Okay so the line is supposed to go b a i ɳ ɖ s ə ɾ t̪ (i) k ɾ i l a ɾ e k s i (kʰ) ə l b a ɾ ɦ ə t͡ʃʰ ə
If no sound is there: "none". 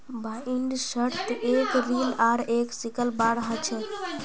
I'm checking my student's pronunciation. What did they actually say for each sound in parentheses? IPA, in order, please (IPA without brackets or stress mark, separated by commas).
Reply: e, k